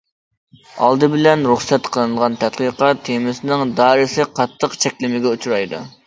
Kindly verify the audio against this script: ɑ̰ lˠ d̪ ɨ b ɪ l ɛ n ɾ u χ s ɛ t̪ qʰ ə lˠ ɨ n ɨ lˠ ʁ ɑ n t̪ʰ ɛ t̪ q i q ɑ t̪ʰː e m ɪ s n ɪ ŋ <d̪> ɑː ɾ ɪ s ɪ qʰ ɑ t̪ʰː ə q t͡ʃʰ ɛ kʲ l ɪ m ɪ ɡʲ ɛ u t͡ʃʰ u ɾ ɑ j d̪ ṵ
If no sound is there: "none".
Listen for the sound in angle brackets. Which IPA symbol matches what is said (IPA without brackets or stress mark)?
d̪